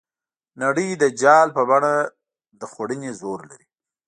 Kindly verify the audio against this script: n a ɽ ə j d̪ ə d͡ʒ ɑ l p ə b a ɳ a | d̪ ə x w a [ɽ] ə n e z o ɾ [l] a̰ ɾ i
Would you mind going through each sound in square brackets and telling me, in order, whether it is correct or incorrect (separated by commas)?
correct, correct